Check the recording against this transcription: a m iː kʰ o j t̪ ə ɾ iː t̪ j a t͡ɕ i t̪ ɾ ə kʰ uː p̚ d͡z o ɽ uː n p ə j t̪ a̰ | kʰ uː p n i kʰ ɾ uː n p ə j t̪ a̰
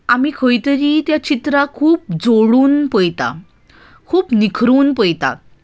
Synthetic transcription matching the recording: a m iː kʰ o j t̪ ə ɾ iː t̪ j a t͡ɕ i t̪ ɾ a kʰ uː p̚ d͡z o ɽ uː n p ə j t̪ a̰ | kʰ uː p n i kʰ ɾ uː n p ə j t̪ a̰